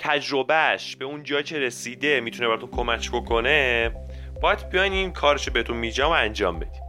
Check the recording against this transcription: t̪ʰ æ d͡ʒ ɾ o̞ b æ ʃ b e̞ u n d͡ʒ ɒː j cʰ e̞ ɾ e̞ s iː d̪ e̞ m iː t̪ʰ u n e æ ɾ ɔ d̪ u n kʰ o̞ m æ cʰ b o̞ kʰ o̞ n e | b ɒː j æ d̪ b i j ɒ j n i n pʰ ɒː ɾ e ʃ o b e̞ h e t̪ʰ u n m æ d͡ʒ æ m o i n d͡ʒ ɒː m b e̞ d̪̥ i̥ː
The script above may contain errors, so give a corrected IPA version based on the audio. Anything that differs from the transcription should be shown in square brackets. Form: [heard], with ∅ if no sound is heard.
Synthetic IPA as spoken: t̪ʰ æ d͡ʒ ɾ o̞ b æ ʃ b e̞ u n d͡ʒ ɒː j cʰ e̞ ɾ e̞ s iː d̪ e̞ m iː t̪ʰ u n e æ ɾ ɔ [t̪] u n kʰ o̞ m æ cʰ b o̞ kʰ o̞ n e | b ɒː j æ d̪ b i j ɒ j n i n [kʰ] ɒː ɾ e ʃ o b e̞ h e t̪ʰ u n m [i] d͡ʒ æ m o [æ] n d͡ʒ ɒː m b e̞ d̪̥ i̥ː